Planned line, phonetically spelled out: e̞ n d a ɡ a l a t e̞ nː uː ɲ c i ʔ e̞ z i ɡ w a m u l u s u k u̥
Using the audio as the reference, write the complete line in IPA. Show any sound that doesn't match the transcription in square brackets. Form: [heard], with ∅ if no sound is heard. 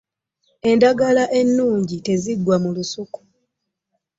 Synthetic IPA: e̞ n d a ɡ a l a [ʔ] e̞ nː uː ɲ [ɟ] i [t] e̞ z i ɡ w a m u l u s u k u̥